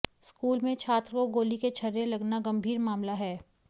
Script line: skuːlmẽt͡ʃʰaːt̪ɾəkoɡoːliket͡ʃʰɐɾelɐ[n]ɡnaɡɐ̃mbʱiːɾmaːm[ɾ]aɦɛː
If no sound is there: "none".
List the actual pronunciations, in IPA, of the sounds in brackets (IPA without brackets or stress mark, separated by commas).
none, l